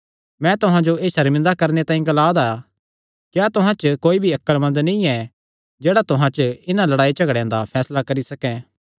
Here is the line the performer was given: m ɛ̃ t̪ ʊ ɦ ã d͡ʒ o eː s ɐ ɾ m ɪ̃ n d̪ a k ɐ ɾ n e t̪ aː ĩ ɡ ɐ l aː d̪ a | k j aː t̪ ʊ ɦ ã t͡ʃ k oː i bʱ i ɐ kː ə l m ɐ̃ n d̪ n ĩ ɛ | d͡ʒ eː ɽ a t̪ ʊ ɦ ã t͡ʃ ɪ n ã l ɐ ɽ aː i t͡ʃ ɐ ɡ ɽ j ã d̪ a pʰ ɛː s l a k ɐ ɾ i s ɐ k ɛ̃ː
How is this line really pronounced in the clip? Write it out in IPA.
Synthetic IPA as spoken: m ɛ̃ t̪ ʊ ɦ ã d͡ʒ o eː s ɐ ɾ m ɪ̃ n d̪ a k ɐ ɾ n e t̪ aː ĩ ɡ ɐ l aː d̪ a | k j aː t̪ ʊ ɦ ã t͡ʃ k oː i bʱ i ɐ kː ə l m ɐ̃ n d̪ n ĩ ɛ | d͡ʒ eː ɽ a t̪ ʊ ɦ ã t͡ʃ ɪ n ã l ɐ ɽ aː i t͡ʃ ɐ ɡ ɽ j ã d̪ a pʰ ɛː s l a k ɐ ɾ i s ɐ k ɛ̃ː